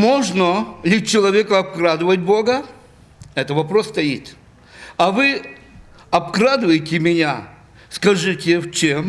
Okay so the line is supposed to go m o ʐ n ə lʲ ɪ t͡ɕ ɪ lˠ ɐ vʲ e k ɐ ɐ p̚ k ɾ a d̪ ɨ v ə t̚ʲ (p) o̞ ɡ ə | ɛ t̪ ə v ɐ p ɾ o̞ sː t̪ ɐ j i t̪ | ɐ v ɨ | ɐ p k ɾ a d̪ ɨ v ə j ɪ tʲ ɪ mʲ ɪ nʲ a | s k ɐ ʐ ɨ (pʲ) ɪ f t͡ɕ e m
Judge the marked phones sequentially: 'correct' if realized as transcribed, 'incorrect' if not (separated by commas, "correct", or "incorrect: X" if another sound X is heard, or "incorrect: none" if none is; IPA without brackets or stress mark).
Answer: incorrect: b, incorrect: tʲ